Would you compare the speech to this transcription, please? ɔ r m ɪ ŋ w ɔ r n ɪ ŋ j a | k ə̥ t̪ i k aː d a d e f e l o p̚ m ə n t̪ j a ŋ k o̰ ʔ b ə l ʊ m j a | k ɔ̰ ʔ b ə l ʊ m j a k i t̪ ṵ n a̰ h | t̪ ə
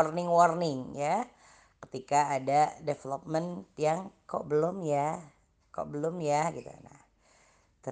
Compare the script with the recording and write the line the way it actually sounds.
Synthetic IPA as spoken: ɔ r n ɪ ŋ w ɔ r n ɪ ŋ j a | k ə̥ t̪ i k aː d a d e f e l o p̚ m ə n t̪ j a ŋ k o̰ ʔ b ə l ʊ m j a | k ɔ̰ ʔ b ə l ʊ m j a ɡ i t̪ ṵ n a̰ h | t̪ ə